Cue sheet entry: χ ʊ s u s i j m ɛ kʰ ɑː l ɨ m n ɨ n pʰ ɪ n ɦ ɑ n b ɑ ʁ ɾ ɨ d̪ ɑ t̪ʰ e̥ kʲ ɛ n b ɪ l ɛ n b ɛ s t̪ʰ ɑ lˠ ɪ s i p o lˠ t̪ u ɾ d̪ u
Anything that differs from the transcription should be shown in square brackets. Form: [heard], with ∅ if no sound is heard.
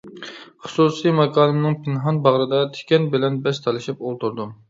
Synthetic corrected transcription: χ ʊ s u s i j m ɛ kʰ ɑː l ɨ m n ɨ [ŋ] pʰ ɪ n ɦ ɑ n b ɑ ʁ ɾ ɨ d̪ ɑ t̪ʰ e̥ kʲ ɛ n b ɪ l ɛ n b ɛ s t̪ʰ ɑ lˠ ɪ [ʃ] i p o lˠ t̪ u ɾ d̪ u